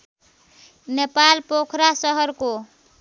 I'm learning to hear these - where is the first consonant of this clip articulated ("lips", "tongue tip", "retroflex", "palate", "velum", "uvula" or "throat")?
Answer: tongue tip